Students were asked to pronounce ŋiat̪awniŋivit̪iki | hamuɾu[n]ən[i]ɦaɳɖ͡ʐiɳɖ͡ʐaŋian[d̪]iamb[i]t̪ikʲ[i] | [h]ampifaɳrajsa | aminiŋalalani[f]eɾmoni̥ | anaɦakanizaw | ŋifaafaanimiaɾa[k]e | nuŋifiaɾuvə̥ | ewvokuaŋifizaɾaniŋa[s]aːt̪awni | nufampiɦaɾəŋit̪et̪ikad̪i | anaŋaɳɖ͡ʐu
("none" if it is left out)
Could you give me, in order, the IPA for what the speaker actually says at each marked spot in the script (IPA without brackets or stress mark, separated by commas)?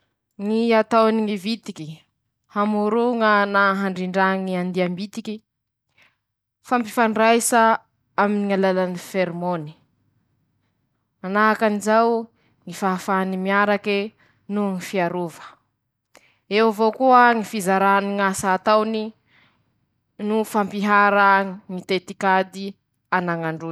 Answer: ŋ, a, d̪, i, i, f, f, k, s